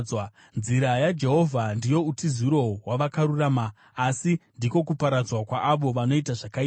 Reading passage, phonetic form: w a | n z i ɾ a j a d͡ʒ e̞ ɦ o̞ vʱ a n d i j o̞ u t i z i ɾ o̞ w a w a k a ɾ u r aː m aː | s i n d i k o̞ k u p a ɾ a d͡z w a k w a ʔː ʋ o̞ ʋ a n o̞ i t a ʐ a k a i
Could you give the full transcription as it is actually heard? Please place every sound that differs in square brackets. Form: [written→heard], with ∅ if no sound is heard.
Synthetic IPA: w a | n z i ɾ a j a d͡ʒ e̞ ɦ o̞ vʱ a n d i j o̞ u t i z i ɾ o̞ w a [w→ʋ] a k a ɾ u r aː m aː | s i n d i k o̞ k u p a ɾ a d͡z w a k w a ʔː ʋ o̞ ʋ a n o̞ i t a ʐ a k a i

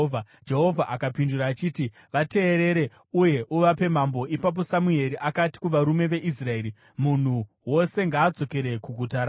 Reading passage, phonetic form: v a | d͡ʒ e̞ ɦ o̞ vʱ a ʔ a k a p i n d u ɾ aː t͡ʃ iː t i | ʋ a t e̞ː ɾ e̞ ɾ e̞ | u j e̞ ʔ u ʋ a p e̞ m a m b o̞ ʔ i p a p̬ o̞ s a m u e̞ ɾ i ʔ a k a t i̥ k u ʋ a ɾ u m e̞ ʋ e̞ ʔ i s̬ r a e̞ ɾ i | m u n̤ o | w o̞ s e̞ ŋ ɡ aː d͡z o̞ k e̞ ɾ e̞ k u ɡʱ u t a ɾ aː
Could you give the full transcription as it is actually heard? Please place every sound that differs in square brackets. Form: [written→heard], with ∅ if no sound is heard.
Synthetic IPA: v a | d͡ʒ e̞ ɦ o̞ vʱ a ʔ a k a p i n d u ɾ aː t͡ʃ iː t i | ʋ a t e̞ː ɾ e̞ ɾ e̞ | u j e̞ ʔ u ʋ a p e̞ m a m b o̞ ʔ i p a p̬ o̞ s a m u e̞ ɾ i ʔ a k a t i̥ k u ʋ a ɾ u m e̞ ʋ e̞ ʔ i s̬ r a e̞ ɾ i | m u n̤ [o→u] | w o̞ s e̞ ŋ ɡ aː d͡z o̞ k e̞ ɾ e̞ k u ɡʱ u t a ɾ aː

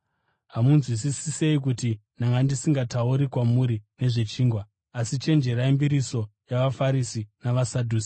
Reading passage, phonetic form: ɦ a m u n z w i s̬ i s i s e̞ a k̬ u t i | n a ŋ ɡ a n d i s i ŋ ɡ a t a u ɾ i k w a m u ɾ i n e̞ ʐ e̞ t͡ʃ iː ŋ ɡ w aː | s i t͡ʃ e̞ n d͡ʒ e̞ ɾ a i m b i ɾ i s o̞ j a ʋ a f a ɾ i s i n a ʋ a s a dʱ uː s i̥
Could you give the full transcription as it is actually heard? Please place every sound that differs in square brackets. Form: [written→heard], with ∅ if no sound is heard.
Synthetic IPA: ɦ a m u n z w i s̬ i s i s e̞ [a→i] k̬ u t i | n a ŋ ɡ a n d i s i ŋ ɡ a t a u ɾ i k w a m u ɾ i n e̞ ʐ e̞ t͡ʃ iː ŋ ɡ w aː | s i t͡ʃ e̞ n d͡ʒ e̞ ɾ a i m b i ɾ i s o̞ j a ʋ a f a ɾ i s i n a ʋ a s a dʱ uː s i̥

